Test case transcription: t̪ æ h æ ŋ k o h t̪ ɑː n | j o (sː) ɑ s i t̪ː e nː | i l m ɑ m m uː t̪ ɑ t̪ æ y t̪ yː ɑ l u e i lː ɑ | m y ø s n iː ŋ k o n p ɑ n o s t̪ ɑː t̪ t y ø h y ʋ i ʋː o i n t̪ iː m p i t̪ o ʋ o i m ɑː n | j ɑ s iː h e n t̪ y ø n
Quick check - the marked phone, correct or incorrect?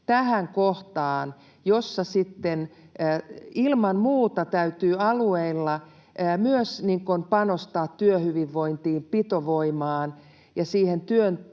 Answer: correct